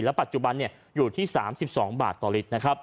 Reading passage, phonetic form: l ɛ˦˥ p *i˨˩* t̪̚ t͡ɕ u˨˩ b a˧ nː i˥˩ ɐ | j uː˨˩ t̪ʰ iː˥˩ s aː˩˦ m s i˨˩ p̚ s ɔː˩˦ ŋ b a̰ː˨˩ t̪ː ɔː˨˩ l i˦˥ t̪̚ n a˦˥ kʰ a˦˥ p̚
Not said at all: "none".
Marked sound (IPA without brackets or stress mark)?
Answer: a˨˩